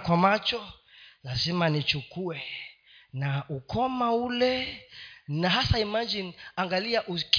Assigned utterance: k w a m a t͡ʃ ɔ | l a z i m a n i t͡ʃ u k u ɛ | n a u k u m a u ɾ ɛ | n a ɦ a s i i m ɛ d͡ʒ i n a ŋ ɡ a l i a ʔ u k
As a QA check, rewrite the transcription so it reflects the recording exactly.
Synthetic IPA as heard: k w a m a t͡ʃ ɔ | l a z i m a n i t͡ʃ u k u ɛ | n a u k ɔ m a u l ɛ | n a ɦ a s a i m a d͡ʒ i n a ŋ ɡ a l i a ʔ u k